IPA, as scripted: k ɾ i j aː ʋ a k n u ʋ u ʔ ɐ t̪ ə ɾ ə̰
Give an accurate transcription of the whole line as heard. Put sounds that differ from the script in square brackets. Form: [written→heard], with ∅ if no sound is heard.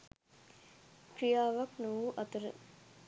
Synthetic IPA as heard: k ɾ i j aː ʋ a k n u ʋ u ʔ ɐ t̪ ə ɾ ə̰